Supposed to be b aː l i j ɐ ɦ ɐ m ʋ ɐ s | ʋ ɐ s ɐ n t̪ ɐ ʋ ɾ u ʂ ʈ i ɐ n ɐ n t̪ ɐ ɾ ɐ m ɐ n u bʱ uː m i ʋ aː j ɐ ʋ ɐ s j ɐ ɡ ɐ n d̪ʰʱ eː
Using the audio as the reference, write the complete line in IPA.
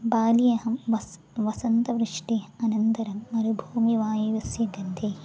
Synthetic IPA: b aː l i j ɐ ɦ ɐ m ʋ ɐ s | ʋ ɐ s ɐ n t̪ ɐ ʋ ɾ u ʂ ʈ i ɐ n ɐ n t̪ ɐ ɾ ɐ m ɐ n u bʱ uː m i ʋ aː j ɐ ʋ ɐ s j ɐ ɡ ɐ n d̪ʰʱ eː